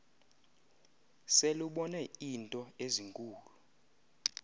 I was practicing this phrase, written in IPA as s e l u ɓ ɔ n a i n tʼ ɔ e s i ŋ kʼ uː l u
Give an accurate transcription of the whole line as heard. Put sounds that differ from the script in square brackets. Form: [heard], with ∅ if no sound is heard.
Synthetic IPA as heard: s e l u ɓ ɔ n [ɛ] i n tʼ ɔ e [z] i ŋ kʼ uː l u